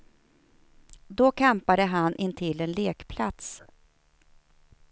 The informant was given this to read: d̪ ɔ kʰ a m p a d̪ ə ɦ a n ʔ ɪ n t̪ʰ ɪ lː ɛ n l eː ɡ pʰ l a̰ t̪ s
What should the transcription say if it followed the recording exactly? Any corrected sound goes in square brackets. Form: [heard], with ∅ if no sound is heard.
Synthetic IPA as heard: d̪ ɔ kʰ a m p a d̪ ə ɦ a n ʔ ɪ n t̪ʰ ɪ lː ɛ n l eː [k] pʰ l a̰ t̪ s